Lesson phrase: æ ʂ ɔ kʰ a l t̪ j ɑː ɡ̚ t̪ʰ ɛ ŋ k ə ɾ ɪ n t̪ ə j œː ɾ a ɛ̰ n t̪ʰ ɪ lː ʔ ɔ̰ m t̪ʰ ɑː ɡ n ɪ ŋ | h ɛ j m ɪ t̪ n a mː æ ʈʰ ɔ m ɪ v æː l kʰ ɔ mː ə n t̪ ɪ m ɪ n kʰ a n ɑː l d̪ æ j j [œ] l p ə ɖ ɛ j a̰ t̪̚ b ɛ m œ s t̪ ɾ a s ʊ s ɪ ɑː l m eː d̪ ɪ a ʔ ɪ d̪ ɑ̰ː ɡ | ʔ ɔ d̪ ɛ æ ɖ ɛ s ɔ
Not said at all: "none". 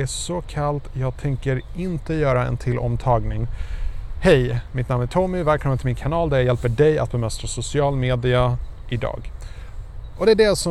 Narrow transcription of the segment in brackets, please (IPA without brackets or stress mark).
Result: ɛ